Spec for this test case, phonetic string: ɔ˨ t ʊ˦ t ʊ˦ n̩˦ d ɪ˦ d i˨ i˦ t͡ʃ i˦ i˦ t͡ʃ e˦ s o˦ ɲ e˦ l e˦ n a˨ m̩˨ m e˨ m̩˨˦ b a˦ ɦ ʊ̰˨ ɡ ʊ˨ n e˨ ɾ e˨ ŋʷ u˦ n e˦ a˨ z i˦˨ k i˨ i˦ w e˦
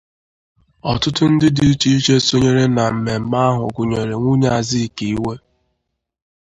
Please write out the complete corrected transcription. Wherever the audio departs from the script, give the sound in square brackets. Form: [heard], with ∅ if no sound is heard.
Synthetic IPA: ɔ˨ t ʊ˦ t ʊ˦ n̩˦ d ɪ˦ d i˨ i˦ t͡ʃ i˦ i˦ t͡ʃ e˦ s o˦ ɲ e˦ [ɾ] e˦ n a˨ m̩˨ m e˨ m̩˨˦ [m] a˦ ɦ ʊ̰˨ ɡ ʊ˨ [ɲ] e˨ ɾ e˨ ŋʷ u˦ [ɲ] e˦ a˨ z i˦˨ k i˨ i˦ w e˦